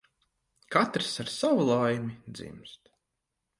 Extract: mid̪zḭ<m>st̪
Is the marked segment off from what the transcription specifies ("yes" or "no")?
no